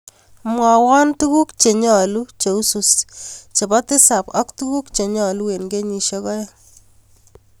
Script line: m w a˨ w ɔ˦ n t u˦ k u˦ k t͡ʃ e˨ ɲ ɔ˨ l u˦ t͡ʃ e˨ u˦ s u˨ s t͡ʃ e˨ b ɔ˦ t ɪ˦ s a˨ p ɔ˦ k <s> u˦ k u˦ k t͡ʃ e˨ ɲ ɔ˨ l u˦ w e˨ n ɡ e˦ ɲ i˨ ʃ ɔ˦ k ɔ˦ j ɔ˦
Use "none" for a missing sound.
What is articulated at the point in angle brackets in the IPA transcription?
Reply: t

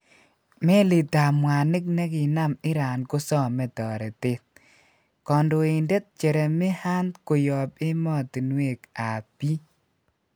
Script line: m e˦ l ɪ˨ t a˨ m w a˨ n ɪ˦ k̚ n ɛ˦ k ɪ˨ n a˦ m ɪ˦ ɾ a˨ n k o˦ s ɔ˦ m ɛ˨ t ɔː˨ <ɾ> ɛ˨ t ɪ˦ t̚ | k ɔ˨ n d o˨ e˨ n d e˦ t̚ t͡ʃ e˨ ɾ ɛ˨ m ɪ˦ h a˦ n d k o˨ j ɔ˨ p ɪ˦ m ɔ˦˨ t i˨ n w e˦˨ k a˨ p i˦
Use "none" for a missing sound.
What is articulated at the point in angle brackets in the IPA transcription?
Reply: ɾ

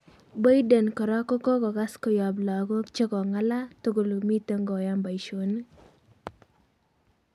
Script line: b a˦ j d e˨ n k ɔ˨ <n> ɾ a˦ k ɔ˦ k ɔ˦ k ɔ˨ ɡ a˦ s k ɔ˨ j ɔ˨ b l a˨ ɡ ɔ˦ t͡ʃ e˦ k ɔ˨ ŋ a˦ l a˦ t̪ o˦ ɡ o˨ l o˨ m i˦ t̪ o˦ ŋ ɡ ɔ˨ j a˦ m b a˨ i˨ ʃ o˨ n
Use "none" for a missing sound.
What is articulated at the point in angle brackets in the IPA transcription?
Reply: none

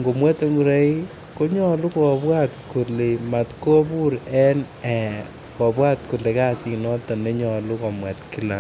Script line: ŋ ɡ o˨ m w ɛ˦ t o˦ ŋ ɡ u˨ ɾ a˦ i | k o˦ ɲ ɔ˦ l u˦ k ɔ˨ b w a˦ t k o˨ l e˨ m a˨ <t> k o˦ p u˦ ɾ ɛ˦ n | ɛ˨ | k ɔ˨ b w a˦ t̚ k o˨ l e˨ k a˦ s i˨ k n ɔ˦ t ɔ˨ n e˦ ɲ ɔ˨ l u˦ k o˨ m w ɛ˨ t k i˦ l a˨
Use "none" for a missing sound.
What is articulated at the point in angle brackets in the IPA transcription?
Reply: t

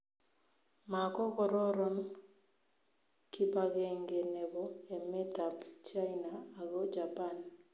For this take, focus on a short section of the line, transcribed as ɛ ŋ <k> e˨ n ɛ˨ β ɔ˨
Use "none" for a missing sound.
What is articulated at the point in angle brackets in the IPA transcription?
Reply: ɡ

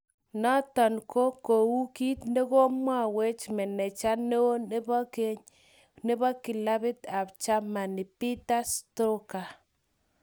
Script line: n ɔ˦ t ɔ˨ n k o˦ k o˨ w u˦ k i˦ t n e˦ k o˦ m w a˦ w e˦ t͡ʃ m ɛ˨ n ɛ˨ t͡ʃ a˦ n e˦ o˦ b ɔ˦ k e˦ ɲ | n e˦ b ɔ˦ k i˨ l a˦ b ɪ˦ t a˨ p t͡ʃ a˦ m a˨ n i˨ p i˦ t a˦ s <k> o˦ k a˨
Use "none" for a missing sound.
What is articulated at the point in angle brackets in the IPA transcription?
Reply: t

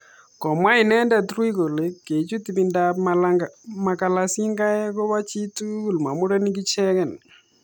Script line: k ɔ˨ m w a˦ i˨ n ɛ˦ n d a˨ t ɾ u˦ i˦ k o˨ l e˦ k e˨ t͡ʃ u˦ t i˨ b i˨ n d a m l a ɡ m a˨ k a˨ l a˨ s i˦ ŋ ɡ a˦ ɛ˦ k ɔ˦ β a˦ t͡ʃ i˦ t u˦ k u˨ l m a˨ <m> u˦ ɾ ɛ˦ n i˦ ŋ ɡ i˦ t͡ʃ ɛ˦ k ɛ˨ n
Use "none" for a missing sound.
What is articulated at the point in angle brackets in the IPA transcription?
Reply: m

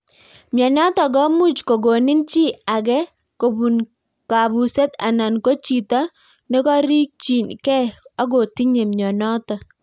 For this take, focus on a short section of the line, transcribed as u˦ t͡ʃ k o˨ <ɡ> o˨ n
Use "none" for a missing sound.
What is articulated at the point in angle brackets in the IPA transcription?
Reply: ɡ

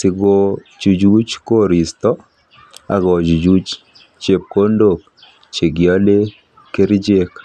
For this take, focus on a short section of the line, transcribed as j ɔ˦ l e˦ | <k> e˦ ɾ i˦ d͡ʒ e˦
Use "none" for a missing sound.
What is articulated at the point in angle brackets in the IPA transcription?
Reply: k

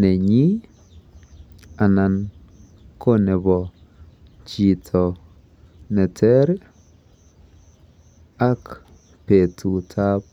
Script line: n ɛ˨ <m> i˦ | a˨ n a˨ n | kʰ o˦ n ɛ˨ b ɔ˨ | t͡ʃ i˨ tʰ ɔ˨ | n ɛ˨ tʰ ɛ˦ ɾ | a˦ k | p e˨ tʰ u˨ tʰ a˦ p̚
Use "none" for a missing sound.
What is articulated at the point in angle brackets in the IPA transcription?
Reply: ɲ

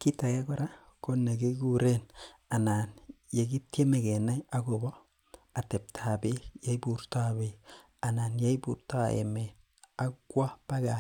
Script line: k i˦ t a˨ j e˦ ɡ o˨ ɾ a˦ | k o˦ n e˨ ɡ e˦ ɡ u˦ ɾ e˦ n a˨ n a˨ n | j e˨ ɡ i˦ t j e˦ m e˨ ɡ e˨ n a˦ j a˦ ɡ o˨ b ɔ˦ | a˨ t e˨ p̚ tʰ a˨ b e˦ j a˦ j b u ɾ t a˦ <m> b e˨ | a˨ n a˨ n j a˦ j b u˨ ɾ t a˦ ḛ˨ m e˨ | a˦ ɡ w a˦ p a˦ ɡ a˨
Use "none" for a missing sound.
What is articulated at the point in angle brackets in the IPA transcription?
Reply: none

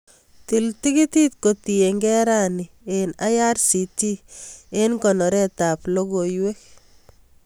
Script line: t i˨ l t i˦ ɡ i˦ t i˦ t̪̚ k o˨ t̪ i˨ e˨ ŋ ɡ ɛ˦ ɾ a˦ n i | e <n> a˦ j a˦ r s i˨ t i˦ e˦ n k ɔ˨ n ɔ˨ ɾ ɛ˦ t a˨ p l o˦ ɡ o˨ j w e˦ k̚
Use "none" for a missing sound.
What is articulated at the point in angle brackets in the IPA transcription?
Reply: n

